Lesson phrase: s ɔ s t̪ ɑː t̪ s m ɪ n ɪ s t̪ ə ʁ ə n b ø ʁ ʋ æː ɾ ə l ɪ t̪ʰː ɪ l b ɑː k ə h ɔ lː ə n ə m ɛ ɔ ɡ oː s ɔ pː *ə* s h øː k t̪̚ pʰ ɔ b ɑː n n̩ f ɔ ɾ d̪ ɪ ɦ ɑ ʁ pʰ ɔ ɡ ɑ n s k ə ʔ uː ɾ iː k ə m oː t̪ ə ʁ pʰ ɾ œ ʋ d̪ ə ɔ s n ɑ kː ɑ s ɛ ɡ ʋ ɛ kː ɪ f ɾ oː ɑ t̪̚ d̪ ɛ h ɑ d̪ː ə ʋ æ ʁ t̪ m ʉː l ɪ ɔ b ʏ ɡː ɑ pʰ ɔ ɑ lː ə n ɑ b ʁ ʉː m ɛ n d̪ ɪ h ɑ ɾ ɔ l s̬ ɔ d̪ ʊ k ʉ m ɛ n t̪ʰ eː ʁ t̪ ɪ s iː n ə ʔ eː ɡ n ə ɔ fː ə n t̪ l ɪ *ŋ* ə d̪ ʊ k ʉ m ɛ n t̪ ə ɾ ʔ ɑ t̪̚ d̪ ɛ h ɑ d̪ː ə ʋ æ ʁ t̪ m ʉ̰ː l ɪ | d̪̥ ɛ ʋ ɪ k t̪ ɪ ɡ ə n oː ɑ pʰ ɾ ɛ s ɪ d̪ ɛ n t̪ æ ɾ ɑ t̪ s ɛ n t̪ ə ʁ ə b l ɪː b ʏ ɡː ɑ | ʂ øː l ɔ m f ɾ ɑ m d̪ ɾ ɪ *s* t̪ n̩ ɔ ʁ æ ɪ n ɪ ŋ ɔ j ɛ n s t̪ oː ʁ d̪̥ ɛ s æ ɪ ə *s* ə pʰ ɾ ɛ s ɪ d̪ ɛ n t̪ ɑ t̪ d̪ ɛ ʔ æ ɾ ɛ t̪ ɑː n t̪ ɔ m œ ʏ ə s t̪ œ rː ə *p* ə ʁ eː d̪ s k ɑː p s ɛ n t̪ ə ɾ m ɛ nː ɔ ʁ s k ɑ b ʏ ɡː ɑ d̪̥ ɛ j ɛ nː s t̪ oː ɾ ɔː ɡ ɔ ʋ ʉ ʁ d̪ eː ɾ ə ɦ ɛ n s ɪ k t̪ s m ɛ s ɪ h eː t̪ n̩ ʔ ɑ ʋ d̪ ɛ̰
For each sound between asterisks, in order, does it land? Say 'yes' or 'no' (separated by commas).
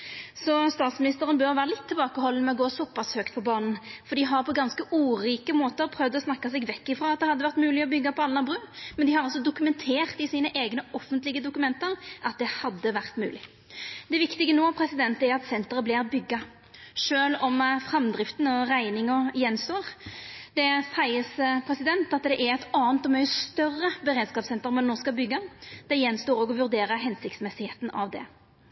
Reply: no, no, no, yes, no